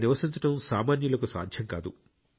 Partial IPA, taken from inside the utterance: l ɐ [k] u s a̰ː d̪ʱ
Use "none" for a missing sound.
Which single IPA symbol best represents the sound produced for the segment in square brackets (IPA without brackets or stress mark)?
k